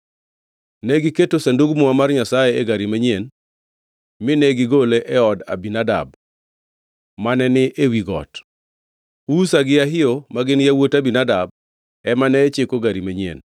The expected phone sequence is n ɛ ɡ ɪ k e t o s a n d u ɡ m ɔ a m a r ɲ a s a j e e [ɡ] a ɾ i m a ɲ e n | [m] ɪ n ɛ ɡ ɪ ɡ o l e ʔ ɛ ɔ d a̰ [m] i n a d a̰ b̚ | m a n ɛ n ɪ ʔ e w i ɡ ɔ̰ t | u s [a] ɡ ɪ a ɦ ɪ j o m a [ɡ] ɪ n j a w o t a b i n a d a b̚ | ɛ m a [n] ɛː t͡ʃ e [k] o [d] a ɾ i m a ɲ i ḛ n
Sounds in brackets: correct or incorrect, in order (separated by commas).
correct, correct, incorrect, correct, correct, correct, correct, incorrect